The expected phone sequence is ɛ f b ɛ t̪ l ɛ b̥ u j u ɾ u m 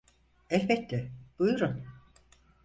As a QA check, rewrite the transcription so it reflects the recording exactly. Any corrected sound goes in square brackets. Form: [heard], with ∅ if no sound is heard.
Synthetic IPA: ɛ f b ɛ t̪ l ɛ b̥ u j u ɾ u [n]